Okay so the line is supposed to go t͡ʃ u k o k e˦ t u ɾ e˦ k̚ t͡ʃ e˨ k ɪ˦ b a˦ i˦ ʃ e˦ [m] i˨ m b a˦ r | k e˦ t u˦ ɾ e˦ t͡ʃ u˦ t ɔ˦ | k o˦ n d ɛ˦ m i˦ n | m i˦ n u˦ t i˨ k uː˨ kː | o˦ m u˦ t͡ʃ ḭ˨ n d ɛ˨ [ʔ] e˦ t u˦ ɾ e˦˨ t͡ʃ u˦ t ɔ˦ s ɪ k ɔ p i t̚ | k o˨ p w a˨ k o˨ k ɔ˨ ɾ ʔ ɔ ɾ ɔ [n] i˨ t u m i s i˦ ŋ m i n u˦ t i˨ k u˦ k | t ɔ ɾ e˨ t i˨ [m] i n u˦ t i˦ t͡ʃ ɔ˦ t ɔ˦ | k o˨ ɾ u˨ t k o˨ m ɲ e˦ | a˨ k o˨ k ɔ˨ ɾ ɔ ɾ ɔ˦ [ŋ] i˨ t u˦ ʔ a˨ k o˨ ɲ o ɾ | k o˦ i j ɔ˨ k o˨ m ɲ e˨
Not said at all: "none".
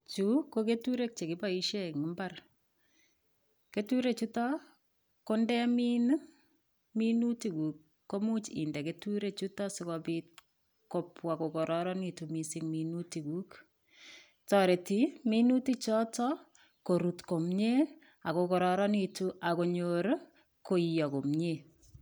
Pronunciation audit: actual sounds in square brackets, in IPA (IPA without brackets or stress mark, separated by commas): ŋ, k, n, m, n